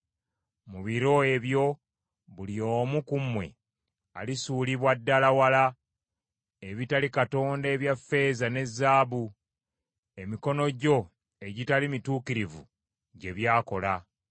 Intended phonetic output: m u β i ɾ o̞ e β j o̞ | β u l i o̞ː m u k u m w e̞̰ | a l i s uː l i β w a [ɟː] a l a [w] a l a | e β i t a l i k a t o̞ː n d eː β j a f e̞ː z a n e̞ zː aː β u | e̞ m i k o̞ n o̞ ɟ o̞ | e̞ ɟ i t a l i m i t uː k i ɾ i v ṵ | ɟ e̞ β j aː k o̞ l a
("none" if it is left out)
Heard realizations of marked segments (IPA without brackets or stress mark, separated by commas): dː, w